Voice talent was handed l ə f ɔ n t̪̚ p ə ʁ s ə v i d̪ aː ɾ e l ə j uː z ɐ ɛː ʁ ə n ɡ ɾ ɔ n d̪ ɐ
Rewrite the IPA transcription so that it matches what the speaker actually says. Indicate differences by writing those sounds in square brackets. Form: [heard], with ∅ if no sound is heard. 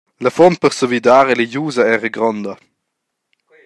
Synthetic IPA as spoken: l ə f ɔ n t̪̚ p ə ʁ s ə v i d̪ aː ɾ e l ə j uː z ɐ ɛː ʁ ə [∅] ɡ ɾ ɔ n d̪ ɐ